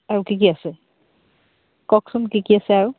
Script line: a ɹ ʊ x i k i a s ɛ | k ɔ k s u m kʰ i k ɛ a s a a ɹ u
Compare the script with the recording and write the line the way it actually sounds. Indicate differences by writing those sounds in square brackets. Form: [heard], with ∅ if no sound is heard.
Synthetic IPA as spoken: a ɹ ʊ [k] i k i a s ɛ | k ɔ k s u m [k] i k [i] a s [ɛ] a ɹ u